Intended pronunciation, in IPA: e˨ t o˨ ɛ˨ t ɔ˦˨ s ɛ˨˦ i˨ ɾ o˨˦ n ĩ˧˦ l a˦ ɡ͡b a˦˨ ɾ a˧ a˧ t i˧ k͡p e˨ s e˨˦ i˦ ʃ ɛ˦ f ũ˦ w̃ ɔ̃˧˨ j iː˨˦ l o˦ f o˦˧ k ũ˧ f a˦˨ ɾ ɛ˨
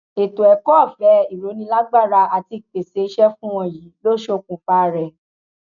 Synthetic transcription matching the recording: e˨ t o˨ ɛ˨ k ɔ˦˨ f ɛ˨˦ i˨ ɾ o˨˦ n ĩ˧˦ l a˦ ɡ͡b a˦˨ ɾ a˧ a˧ t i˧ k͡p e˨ s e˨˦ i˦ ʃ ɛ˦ f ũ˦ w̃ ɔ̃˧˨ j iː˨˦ l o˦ ʃ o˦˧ k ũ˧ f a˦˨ ɾ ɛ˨